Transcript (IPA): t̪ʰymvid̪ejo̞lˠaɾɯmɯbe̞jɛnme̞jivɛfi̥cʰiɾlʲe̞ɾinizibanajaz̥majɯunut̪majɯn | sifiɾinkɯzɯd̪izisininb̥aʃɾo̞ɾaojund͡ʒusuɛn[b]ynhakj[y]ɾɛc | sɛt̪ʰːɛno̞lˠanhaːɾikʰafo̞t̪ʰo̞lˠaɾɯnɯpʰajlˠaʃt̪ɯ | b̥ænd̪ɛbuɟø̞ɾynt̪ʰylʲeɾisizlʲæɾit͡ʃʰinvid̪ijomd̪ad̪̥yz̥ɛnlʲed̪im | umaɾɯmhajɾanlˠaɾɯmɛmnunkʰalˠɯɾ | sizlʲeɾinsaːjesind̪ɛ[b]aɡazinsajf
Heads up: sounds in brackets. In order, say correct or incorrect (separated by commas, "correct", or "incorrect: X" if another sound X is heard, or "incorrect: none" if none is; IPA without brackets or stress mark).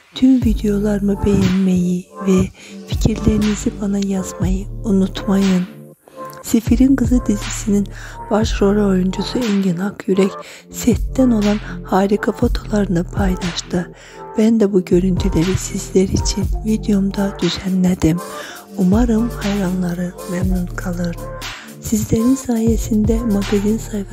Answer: incorrect: ɟ, correct, incorrect: m